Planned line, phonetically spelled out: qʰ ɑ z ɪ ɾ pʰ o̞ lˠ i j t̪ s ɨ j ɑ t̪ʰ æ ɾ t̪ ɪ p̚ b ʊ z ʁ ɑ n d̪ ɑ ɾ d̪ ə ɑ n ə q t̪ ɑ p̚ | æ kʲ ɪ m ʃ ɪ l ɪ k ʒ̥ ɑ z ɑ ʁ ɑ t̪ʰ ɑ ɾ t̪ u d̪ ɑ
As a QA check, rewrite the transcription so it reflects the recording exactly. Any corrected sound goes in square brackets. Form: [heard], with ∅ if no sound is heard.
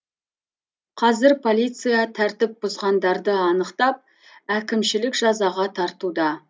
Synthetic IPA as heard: qʰ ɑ z ɪ ɾ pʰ o̞ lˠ i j t̪ s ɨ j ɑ t̪ʰ æ ɾ t̪ ɪ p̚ b ʊ z ʁ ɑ n d̪ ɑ ɾ d̪ ə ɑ n ə q t̪ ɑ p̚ | æ kʲ ɪ m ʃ ɪ l ɪ k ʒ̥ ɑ z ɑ ʁ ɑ t̪ʰ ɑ ɾ t̪ u d̪ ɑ